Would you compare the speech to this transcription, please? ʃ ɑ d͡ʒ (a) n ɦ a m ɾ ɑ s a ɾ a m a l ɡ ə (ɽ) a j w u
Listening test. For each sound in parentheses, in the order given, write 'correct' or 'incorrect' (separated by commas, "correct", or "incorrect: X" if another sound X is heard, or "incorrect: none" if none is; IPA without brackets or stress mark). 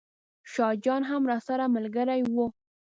incorrect: ɑ, incorrect: ɾ